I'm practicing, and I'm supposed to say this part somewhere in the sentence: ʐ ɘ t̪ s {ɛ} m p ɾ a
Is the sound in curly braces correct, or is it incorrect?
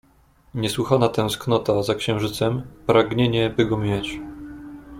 correct